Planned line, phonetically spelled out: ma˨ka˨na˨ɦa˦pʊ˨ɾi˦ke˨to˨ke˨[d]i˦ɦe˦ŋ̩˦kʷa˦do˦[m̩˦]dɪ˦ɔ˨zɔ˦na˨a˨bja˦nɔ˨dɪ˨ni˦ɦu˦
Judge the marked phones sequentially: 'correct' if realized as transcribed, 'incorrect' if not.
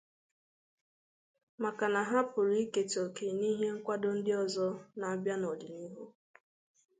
incorrect, incorrect

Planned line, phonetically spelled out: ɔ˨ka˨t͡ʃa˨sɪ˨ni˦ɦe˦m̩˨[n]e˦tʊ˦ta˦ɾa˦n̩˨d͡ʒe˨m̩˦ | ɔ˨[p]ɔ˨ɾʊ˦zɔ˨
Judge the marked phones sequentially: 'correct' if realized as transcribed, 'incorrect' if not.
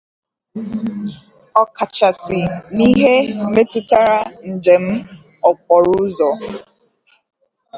incorrect, incorrect

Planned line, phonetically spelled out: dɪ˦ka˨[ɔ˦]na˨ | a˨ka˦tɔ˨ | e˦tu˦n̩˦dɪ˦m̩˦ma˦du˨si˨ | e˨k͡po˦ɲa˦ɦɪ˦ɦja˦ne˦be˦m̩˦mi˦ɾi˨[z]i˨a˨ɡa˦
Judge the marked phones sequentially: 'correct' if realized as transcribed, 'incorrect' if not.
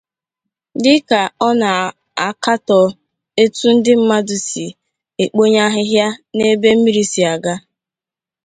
correct, incorrect

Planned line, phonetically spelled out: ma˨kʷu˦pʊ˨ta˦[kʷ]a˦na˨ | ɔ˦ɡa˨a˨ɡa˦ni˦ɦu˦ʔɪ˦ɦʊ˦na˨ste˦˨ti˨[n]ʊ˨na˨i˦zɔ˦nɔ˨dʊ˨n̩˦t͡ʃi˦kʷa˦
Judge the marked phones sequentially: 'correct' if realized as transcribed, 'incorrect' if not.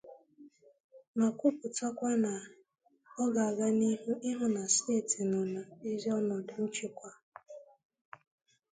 correct, correct

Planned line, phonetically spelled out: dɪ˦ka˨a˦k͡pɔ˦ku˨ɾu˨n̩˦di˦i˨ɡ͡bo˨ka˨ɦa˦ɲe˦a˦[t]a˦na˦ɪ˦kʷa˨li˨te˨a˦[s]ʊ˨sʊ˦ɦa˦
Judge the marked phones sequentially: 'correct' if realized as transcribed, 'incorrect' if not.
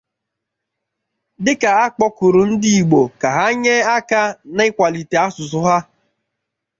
incorrect, correct

